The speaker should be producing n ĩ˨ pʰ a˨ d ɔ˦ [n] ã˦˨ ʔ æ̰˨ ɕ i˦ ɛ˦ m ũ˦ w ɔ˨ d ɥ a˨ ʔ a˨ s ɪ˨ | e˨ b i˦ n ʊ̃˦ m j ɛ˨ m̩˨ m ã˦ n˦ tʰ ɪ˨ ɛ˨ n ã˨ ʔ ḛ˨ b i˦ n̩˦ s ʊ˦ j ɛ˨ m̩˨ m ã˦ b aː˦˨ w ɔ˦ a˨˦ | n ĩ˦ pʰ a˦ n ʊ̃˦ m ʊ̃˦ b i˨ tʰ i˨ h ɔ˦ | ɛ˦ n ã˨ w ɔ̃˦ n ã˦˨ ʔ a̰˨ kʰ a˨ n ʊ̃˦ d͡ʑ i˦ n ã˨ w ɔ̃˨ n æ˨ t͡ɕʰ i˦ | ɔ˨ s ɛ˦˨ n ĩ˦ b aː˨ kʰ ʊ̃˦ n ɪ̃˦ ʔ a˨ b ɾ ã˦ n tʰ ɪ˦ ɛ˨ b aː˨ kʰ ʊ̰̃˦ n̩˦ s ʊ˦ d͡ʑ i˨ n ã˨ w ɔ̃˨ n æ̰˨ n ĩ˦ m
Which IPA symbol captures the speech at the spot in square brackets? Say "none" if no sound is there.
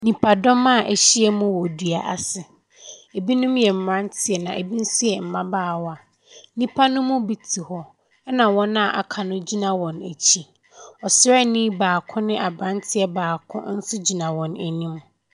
m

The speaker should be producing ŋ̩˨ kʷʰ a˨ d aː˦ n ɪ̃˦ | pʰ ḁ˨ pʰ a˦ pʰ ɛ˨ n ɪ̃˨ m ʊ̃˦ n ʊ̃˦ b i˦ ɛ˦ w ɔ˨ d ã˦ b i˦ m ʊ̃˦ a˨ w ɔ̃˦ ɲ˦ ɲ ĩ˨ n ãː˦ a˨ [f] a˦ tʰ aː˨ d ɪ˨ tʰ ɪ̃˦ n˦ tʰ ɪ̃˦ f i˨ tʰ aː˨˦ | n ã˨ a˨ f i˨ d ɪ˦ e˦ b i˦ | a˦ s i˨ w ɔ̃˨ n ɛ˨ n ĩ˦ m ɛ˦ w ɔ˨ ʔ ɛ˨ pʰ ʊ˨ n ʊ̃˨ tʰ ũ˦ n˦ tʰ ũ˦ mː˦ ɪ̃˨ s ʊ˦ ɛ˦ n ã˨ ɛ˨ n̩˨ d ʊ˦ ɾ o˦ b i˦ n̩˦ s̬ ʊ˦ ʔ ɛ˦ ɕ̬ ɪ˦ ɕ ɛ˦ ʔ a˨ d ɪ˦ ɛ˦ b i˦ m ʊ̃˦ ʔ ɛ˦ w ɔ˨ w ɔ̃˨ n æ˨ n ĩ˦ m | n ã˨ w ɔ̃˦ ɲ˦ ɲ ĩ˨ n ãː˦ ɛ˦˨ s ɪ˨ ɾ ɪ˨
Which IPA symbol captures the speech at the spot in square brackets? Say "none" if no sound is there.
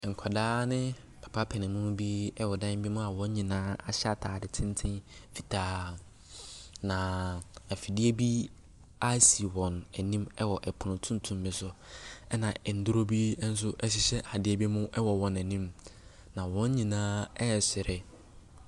ɕ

